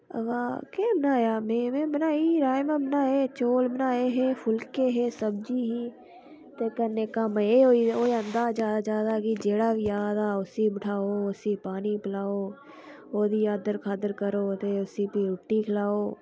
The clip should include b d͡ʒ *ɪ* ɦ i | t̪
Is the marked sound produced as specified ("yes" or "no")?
no